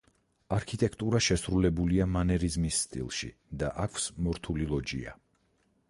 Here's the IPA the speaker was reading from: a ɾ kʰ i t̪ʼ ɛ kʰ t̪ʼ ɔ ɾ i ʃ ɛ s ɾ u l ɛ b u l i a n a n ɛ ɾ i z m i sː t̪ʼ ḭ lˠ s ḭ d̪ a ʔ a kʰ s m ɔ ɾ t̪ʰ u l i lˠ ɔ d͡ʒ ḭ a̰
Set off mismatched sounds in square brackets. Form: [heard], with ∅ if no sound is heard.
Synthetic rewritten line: a ɾ kʰ i t̪ʼ ɛ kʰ t̪ʼ [u] ɾ [a] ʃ ɛ s ɾ u l ɛ b u l i a [m] a n ɛ ɾ i z m i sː t̪ʼ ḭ lˠ [ʃ] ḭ d̪ a ʔ a kʰ s m ɔ ɾ t̪ʰ u l i lˠ ɔ d͡ʒ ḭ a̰